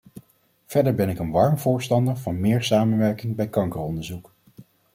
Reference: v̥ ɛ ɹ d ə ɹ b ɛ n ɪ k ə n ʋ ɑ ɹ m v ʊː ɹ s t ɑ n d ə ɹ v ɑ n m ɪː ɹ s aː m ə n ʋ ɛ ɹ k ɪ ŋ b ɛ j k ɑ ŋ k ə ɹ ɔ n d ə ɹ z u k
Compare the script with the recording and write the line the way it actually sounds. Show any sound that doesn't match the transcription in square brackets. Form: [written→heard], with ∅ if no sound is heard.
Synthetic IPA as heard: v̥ ɛ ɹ d ə ɹ b ɛ n ɪ k ə n ʋ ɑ ɹ m v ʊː ɹ s t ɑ n d ə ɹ v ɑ n m ɪː ɹ s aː m ə n ʋ ɛ ɹ k ɪ ŋ b ɛ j k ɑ ŋ k ə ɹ ɔ n d ə ɹ z u k